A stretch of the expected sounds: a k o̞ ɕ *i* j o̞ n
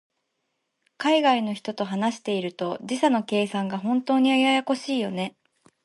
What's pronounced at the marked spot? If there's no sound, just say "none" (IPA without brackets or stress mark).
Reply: iː